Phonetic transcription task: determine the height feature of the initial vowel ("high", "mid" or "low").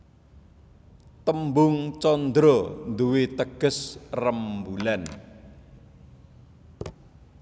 mid